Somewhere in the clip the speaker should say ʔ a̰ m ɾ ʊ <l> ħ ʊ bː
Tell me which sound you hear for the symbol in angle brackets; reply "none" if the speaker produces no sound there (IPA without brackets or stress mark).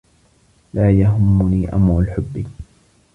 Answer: l